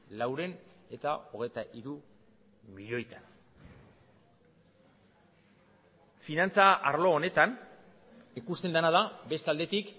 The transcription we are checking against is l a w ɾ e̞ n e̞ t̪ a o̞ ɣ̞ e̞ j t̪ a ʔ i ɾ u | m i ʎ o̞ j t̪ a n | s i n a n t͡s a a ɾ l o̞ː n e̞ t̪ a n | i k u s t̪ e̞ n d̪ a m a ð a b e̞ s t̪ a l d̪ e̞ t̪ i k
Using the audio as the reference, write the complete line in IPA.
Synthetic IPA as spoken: l a w ɾ e̞ n e̞ t̪ a o̞ ɣ̞ e̞ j t̪ a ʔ i ɾ u | m i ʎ o̞ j t̪ a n | f i n a n t͡s a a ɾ l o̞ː n e̞ t̪ a n | i k u s t̪ e̞ n d̪ a n a ð a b e̞ s t̪ a l d̪ e̞ t̪ i k

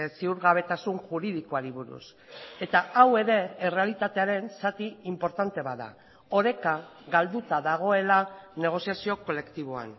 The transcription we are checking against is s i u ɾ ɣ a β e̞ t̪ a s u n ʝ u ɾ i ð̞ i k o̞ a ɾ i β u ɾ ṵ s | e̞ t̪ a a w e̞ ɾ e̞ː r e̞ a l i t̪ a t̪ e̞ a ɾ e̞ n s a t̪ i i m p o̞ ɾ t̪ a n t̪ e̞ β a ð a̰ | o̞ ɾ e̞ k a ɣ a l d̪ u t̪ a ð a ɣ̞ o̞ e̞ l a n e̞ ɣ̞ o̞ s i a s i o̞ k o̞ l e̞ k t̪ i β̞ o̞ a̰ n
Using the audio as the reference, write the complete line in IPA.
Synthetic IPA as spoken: s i u ɾ ɣ a β e̞ t̪ a s u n ʝ u ɾ i ð̞ i k o̞ a ɾ i β u ɾ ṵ s | e̞ t̪ a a w e̞ ɾ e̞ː r e̞ a l i t̪ a t̪ e̞ a ɾ e̞ n s a t̪ i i m p o̞ ɾ t̪ a n t̪ e̞ β a ð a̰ | o̞ ɾ e̞ k a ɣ a l d̪ u t̪ a ð a ɣ̞ o̞ e̞ l a n e̞ ɣ̞ o̞ s i a s i o̞ k o̞ l e̞ k t̪ i β̞ o̞ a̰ n

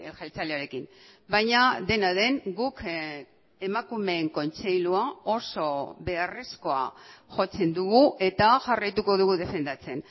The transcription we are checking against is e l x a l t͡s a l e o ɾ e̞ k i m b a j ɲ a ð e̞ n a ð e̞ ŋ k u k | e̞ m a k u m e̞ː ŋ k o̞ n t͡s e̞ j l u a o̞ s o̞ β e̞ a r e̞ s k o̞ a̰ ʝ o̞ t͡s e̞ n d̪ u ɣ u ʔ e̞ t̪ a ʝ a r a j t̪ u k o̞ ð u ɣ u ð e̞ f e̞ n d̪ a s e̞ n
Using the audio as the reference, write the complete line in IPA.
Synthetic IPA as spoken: e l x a l t͡s a l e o ɾ e̞ k i m b a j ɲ a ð e̞ n a ð e̞ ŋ ɡ u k | e̞ m a k u m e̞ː ŋ k o̞ n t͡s e̞ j l u a o̞ s o̞ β e̞ a r e̞ s k o̞ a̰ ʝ o̞ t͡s e̞ n d̪ u ɣ u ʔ e̞ t̪ a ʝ a r a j t̪ u k o̞ ð u ɣ u ð e̞ f e̞ n d̪ a t͡s e̞ n

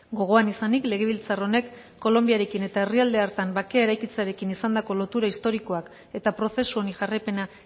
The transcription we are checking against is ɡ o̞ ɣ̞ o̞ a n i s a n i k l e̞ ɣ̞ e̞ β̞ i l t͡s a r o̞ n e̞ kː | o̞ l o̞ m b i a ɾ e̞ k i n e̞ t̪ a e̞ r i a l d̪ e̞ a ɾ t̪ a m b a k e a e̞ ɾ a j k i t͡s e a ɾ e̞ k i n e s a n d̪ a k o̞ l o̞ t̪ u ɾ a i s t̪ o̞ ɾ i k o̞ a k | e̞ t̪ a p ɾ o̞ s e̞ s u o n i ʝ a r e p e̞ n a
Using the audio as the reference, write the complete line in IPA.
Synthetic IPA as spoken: ɡ o̞ ɣ̞ o̞ a n i s a n i k l e̞ ɣ̞ e̞ β̞ i l t͡s a r o̞ n e̞ kː | o̞ l o̞ m b i a ɾ e̞ k i n e̞ t̪ a e̞ r i a l d̪ e̞ a ɾ t̪ a m b a k e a e̞ ɾ a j k i t͡s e a ɾ e̞ k i n i s a n d̪ a k o̞ l o̞ t̪ u ɾ a i s t̪ o̞ ɾ i k o̞ a k | e̞ t̪ a p ɾ o̞ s e̞ s u o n i ʝ a r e p e̞ n a

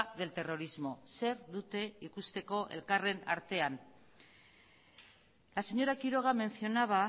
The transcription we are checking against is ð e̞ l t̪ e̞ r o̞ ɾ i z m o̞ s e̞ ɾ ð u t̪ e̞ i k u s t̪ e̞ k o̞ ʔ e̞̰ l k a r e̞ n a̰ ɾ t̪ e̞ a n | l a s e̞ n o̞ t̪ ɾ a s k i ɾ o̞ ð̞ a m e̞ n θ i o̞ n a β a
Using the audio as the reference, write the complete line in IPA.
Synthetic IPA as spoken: ð e̞ l t̪ e̞ r o̞ ɾ i z m o̞ s e̞ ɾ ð u t̪ e̞ i k u s t̪ e̞ k o̞ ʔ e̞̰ l k a r e̞ n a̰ ɾ t̪ e̞ a n | l a s e̞ ɲ o̞ ɾ a k i ɾ o̞ ɣ̞ a m e̞ n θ i o̞ n a β a

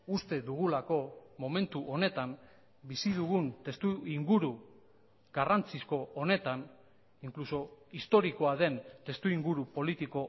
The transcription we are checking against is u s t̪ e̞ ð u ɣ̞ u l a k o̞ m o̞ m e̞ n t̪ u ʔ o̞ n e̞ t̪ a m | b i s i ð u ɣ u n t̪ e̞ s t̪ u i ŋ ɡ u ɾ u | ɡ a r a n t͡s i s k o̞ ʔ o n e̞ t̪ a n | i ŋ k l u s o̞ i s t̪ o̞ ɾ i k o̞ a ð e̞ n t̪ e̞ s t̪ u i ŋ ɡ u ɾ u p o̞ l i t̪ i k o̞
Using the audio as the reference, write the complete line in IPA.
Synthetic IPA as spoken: u s t̪ e̞ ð u ɣ̞ u l a k o̞ m o̞ m e̞ n t̪ u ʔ o̞ n e̞ t̪ a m | b i s i ð u ɣ u n t̪ e̞ s t̪ u i ŋ ɡ u ɾ u | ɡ a r a n t͡s i s k o̞ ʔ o n e̞ t̪ a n | i ŋ k l u s o̞ i s t̪ o̞ ɾ i k o̞ a ð e̞ n t̪ e̞ s t̪ u i ŋ ɡ u ɾ u p o̞ l i t̪ i k o̞

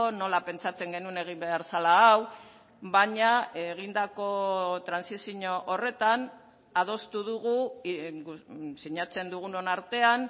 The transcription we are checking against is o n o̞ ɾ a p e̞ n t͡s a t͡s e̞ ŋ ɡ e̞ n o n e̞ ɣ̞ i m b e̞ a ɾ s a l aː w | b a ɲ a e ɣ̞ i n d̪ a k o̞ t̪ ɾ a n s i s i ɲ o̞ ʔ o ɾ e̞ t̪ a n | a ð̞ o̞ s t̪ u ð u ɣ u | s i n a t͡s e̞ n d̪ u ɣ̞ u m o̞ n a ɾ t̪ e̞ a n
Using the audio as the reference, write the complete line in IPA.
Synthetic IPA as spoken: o n o̞ l a p e̞ n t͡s a t͡s e̞ ŋ ɡ e̞ n u n e̞ ɣ̞ i m b e̞ a ɾ s a l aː w | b a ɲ a e ɣ̞ i n d̪ a k o̞ t̪ ɾ a n s i s i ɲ o̞ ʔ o r e̞ t̪ a n | a ð̞ o̞ s t̪ u ð u ɣ u | s i ɲ a t͡s e̞ n d̪ u ɣ̞ u n o̞ n a ɾ t̪ e̞ a n

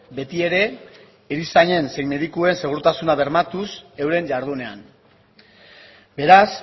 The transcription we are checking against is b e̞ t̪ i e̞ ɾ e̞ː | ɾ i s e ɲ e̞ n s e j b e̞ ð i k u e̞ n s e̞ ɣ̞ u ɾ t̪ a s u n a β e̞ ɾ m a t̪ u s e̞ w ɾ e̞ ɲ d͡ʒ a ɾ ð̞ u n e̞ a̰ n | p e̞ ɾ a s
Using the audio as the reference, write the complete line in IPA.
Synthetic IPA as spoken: b e̞ t̪ i e̞ ɾ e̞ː | ɾ i s a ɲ e̞ n s e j m e̞ ð i k u e̞ n s e̞ ɣ̞ u ɾ t̪ a s u n a β e̞ ɾ m a t̪ u s e̞ w ɾ e̞ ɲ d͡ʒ a ɾ ð̞ u n e̞ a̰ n | b e̞ ɾ a s

